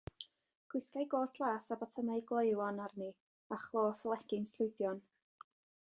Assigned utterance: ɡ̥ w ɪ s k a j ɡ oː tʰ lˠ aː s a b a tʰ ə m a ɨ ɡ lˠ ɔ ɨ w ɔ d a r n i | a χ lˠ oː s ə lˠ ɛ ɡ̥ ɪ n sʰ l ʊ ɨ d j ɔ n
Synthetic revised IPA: ɡ̥ w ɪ s k a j ɡ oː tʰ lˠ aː s a b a tʰ ə m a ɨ ɡ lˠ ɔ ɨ w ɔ n a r n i | a χ lˠ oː s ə lˠ ɛ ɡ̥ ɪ n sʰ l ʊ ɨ d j ɔ n